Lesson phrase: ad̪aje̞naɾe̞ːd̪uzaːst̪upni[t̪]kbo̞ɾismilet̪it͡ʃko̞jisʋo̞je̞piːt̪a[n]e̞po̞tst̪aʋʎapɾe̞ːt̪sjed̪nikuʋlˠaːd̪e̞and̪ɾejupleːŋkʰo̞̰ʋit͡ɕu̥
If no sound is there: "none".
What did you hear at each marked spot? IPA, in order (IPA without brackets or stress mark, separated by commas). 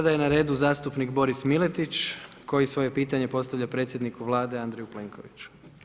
none, ɲ